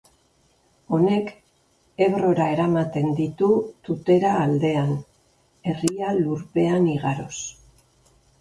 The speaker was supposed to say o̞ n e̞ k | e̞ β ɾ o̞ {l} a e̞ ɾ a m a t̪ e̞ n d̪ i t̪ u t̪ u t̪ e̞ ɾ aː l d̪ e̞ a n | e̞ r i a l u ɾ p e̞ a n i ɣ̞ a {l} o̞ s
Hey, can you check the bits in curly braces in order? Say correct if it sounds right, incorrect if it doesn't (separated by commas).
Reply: incorrect, incorrect